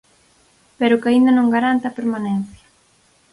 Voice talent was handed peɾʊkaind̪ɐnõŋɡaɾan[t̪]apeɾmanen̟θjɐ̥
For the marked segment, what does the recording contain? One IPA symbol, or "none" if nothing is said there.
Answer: t̪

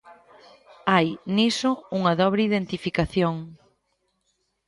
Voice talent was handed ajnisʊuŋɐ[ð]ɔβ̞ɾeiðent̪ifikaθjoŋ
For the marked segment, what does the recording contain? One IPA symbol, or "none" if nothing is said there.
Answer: ð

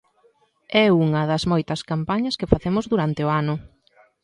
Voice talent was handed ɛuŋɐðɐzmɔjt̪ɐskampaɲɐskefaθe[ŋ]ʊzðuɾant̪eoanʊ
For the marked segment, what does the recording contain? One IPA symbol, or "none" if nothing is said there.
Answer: m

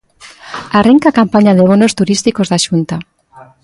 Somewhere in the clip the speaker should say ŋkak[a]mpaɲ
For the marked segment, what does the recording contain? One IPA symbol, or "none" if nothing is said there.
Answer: a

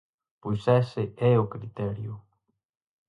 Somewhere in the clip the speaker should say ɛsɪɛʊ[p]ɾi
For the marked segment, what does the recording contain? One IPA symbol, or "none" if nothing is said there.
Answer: k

